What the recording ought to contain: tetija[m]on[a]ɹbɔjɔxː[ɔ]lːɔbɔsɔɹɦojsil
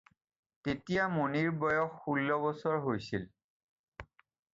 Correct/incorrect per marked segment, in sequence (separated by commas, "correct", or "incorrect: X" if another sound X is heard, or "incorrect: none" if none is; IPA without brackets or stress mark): correct, incorrect: i, incorrect: u